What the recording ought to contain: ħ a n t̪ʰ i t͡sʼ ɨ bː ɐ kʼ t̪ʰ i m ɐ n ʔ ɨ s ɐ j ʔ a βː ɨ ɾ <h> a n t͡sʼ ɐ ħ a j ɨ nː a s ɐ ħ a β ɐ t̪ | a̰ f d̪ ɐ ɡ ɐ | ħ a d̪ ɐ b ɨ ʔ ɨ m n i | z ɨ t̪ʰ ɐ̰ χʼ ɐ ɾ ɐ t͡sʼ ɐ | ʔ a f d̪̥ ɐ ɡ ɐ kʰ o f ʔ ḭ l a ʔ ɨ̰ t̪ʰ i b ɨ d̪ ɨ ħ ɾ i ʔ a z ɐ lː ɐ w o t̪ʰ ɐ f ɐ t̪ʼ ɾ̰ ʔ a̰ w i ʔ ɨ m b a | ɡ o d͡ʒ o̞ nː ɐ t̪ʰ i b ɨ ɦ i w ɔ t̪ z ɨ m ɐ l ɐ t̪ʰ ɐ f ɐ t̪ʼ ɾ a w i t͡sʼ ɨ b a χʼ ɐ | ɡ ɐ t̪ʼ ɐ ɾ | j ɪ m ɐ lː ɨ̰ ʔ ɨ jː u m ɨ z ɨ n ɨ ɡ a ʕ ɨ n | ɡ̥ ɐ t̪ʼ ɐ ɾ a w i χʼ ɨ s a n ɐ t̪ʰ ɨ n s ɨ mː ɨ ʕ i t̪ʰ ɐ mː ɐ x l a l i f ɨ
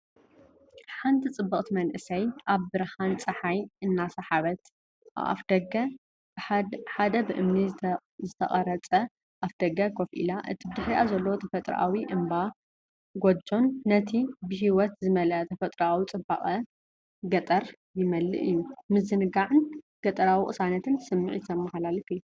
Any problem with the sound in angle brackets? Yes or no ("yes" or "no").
no